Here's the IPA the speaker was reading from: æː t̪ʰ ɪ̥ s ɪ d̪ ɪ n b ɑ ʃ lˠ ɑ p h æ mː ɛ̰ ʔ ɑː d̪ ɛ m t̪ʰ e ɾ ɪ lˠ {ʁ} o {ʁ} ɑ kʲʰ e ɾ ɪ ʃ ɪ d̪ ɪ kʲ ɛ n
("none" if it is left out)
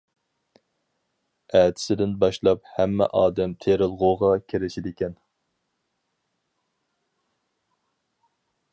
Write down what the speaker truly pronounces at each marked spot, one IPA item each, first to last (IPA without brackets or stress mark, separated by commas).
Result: ʁ, ʁ